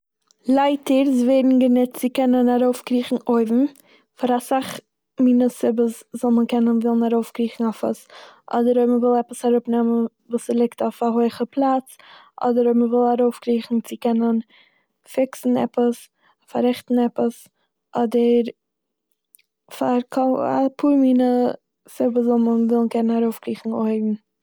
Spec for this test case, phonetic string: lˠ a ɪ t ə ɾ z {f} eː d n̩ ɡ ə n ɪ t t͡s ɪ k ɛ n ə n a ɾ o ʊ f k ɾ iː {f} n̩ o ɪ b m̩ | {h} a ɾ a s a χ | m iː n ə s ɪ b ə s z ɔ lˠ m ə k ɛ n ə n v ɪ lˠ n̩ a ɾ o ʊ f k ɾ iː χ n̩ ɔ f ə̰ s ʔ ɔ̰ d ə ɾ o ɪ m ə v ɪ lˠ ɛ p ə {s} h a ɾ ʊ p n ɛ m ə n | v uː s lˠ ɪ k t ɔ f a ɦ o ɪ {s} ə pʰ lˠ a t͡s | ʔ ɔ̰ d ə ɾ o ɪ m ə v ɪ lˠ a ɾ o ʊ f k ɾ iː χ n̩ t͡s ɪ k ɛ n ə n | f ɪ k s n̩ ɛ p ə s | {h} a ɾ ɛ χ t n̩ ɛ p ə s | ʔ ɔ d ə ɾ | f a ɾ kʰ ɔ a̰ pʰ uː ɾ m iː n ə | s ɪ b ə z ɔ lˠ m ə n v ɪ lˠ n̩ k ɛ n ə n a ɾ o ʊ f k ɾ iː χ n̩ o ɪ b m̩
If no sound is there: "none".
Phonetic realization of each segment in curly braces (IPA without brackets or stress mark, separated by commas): v, χ, f, s, χ, f